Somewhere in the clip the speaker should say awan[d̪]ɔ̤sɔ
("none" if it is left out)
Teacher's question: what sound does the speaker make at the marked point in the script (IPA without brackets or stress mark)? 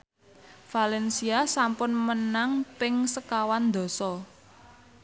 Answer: d̪